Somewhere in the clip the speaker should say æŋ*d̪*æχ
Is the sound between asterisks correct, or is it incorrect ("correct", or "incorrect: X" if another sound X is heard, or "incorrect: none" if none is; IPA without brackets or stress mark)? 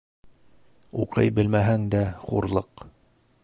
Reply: correct